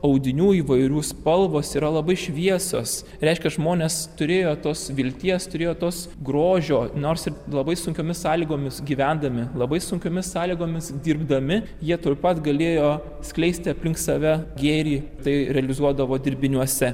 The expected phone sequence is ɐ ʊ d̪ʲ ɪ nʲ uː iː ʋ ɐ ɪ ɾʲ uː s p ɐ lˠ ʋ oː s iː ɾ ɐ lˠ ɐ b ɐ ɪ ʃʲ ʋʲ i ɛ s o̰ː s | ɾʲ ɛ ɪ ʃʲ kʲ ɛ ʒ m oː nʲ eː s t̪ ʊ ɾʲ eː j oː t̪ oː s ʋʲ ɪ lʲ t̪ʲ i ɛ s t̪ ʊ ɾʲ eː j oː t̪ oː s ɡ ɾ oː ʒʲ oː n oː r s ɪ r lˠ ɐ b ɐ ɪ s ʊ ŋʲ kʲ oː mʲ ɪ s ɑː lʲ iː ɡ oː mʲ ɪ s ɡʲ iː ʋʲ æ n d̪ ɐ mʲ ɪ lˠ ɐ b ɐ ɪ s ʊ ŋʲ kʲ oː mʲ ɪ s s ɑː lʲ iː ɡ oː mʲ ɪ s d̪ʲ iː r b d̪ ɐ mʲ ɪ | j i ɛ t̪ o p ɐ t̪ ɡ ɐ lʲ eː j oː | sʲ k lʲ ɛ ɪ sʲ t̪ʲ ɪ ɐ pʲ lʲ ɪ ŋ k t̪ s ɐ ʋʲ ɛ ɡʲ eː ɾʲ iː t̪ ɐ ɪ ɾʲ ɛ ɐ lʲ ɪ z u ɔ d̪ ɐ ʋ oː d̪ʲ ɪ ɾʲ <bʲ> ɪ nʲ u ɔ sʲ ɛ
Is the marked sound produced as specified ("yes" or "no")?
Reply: yes